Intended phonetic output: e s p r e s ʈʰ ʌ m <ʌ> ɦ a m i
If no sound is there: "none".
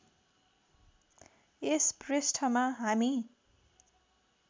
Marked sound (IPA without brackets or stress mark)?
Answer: a